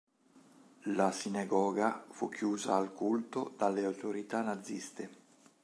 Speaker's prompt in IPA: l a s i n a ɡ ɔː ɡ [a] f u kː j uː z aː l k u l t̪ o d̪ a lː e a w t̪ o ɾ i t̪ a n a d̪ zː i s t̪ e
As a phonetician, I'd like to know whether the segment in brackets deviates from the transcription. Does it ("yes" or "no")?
no